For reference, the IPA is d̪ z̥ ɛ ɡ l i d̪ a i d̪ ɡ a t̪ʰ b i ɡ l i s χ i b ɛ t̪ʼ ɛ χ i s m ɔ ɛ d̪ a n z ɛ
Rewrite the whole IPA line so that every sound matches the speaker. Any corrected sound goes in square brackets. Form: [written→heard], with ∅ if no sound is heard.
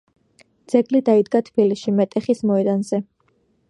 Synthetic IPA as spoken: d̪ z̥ ɛ ɡ l i d̪ a i d̪ ɡ a t̪ʰ b i [ɡ→∅] l i s [χ→ʃ] i [b→m] ɛ t̪ʼ ɛ χ i s m ɔ ɛ d̪ a n z ɛ